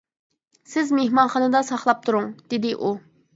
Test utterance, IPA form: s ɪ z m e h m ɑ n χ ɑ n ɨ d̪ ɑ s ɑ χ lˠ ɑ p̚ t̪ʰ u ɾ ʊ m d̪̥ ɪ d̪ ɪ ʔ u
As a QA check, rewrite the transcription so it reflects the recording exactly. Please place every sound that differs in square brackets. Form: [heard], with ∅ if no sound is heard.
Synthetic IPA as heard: s ɪ z m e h m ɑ n χ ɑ n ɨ d̪ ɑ s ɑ χ lˠ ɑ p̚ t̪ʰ u ɾ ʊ [ŋ] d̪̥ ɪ d̪ ɪ ʔ u